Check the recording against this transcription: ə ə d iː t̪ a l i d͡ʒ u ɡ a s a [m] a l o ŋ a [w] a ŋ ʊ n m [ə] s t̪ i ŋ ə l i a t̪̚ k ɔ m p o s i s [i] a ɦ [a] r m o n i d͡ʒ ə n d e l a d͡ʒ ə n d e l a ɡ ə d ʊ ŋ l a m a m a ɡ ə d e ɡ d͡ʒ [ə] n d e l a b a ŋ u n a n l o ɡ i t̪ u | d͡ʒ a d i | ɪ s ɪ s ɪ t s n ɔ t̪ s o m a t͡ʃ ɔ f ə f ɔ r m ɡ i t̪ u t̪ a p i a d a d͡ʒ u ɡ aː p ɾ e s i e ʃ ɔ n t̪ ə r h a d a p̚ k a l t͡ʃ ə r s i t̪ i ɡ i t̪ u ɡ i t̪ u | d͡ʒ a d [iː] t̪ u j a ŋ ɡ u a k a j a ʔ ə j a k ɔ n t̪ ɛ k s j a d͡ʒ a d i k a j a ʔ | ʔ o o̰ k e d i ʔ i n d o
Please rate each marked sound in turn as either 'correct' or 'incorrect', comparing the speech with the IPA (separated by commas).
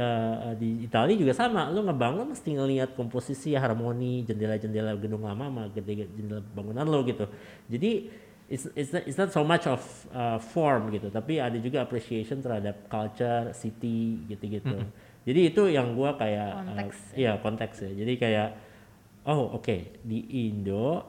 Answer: correct, incorrect, correct, correct, correct, correct, correct